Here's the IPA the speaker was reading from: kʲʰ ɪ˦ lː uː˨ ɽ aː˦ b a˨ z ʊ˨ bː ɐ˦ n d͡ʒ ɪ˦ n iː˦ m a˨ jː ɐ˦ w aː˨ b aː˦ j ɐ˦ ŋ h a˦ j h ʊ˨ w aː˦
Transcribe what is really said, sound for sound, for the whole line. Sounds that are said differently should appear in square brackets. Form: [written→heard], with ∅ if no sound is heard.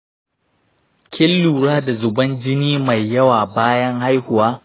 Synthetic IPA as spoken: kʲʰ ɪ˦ lː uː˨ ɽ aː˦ [b→d] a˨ z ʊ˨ [bː→b] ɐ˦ n d͡ʒ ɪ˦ n iː˦ m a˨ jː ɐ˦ w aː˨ b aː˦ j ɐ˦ ŋ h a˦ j h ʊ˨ w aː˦